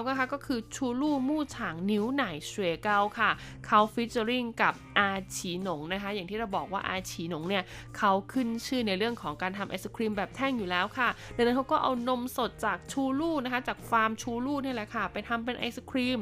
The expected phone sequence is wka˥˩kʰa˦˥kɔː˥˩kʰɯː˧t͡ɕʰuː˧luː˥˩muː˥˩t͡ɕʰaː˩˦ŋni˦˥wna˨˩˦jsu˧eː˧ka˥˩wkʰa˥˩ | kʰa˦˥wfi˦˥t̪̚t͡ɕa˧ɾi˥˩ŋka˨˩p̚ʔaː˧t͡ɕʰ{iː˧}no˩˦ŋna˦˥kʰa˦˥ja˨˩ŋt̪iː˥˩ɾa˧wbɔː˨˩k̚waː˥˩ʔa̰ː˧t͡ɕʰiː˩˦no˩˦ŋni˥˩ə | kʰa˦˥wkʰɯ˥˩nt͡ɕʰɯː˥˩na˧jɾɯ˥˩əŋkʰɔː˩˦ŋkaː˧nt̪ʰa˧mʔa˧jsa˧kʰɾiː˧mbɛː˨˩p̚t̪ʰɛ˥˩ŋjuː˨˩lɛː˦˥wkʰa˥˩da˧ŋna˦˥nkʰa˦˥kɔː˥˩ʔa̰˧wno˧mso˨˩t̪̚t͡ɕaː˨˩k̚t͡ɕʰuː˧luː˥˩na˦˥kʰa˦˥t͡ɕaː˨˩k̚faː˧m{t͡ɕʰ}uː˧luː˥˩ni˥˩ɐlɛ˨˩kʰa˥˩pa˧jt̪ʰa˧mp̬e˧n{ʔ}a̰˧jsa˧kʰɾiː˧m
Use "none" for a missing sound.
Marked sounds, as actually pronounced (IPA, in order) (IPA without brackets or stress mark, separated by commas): iː˩˦, t͡ɕʰ, ʔ